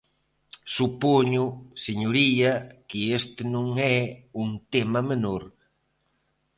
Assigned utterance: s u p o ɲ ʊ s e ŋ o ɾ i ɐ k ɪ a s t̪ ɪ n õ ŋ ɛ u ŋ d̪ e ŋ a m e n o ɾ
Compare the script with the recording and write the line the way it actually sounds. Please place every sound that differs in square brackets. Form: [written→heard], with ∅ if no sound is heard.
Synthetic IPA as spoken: s u p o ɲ ʊ s e [ŋ→ɲ] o ɾ i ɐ k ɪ [a→e] s t̪ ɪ n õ ŋ ɛ u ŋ [d̪→t̪] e [ŋ→m] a m e n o ɾ